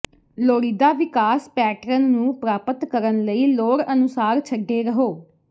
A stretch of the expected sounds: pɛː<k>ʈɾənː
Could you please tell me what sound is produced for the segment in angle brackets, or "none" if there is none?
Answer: none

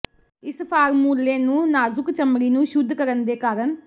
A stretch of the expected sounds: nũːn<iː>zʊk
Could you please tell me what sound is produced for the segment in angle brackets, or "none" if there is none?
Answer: aː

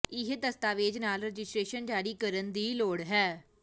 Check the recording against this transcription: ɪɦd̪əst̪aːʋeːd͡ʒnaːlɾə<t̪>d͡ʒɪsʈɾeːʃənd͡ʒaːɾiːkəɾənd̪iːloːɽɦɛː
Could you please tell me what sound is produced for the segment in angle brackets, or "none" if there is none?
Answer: none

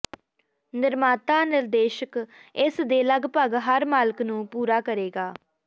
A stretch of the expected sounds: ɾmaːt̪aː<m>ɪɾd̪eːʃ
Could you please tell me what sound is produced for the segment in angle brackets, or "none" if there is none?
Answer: n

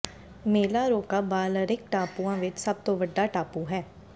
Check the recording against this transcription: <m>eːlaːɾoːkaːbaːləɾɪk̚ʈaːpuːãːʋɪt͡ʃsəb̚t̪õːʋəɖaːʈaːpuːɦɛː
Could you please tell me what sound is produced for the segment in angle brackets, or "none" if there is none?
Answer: m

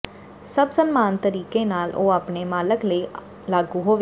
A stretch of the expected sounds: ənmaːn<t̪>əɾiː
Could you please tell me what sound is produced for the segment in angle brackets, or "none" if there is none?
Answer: t̪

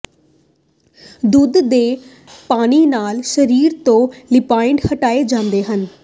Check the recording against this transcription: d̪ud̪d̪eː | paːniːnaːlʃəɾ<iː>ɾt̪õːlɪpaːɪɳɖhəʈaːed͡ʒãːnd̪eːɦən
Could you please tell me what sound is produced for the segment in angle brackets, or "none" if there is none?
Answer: iː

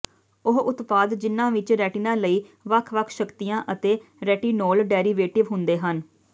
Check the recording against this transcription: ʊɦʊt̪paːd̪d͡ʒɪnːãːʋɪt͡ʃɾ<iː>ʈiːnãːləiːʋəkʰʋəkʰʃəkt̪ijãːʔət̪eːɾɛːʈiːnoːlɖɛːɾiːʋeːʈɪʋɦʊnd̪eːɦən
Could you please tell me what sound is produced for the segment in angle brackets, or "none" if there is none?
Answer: ɛː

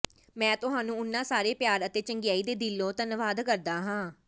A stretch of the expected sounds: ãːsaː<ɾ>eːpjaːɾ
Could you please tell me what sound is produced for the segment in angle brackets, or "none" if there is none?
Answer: ɾ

